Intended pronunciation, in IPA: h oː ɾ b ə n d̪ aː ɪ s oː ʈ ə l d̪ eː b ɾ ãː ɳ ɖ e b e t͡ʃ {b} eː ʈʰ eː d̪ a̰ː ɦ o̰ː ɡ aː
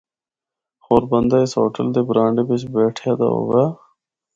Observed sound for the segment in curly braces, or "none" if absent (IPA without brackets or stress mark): b